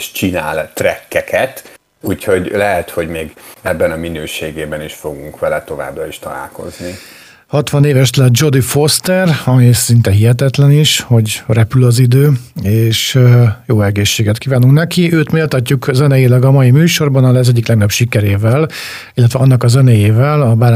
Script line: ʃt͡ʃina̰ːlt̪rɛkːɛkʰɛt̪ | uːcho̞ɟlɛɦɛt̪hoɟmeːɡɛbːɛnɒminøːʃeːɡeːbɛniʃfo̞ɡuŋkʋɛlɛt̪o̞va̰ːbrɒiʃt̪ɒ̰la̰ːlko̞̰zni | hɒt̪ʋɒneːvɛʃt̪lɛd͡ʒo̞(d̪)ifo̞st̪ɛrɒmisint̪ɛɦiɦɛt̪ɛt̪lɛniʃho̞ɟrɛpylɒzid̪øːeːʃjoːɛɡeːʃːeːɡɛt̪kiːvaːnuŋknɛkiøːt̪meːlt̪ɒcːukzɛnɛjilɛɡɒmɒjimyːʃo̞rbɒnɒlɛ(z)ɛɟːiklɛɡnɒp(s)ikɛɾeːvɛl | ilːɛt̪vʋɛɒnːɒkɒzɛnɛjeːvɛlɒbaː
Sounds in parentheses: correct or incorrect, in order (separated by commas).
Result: correct, correct, incorrect